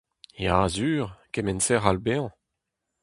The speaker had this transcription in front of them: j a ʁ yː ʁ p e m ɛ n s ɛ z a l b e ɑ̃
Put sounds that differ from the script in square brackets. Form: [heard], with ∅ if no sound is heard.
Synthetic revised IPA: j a [z] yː ʁ [k] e m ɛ n s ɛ [ʁ] a l b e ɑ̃